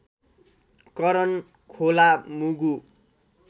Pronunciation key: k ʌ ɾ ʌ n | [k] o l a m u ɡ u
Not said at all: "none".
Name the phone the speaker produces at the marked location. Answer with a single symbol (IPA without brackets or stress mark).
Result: kʰ